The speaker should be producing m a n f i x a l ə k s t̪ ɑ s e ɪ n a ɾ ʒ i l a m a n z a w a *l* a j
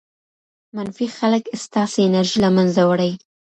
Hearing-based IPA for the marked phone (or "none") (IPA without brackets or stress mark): ɽ